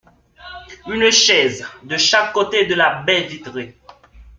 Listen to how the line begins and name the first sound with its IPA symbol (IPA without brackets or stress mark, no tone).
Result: y